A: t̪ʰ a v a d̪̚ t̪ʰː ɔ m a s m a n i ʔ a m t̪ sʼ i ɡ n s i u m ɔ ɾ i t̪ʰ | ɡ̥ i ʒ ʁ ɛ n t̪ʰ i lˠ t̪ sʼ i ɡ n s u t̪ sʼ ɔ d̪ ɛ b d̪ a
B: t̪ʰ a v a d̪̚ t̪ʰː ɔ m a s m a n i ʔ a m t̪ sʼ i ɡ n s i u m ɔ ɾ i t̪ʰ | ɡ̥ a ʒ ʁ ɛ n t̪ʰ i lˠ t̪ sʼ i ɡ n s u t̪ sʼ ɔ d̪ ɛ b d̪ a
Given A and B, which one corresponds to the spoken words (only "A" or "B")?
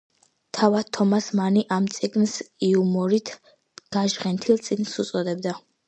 B